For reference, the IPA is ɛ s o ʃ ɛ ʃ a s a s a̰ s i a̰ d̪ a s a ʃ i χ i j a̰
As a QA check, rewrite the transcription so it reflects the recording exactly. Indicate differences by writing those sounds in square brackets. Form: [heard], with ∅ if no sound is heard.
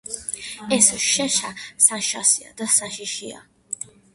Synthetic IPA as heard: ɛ s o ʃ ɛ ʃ a s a [ʃ] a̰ s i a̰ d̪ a s a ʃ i [ʃ] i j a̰

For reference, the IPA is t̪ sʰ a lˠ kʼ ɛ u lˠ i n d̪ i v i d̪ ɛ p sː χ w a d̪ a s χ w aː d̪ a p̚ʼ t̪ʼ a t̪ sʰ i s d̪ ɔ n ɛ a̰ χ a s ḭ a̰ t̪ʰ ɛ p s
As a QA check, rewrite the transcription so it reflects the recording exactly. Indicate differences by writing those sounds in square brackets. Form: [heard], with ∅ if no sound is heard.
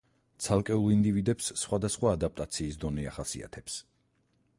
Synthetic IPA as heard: t̪ sʰ a lˠ kʼ ɛ u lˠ i n d̪ i v i d̪ ɛ p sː χ w a d̪ a s χ w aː d̪ a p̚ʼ t̪ʼ a t̪ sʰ [iː] s d̪ ɔ n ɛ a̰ χ a s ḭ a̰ t̪ʰ ɛ p s

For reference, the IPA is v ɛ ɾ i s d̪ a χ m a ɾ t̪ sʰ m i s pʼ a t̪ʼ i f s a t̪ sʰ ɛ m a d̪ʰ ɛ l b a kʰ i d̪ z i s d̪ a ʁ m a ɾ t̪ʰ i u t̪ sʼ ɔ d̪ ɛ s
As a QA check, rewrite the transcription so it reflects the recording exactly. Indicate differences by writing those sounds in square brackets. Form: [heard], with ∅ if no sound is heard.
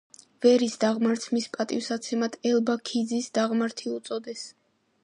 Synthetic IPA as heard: v ɛ ɾ i s d̪ a [ʁ] m a ɾ t̪ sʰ m i s pʼ a t̪ʼ i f s a t̪ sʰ ɛ m a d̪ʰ ɛ l b a kʰ i d̪ z i s d̪ a ʁ m a ɾ t̪ʰ i u t̪ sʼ ɔ d̪ ɛ s

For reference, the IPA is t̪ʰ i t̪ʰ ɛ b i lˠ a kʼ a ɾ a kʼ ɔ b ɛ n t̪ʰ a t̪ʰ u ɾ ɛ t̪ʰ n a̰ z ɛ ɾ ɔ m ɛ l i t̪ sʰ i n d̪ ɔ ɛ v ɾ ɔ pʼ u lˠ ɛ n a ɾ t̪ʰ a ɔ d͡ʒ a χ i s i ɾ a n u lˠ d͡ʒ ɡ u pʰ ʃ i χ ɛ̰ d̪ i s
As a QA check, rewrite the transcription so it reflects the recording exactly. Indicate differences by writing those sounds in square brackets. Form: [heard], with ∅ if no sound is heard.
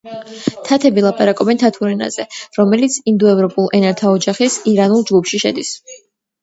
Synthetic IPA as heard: t̪ʰ [a] t̪ʰ ɛ b i lˠ a [pʼ] a ɾ a kʼ ɔ b ɛ n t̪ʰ a t̪ʰ u ɾ ɛ [∅] n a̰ z ɛ ɾ ɔ m ɛ l i t̪ sʰ i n d̪ ɔ ɛ v ɾ ɔ pʼ u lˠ ɛ n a ɾ t̪ʰ a ɔ d͡ʒ a χ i s i ɾ a n u lˠ d͡ʒ ɡ u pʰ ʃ i [ʃ] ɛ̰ d̪ i s

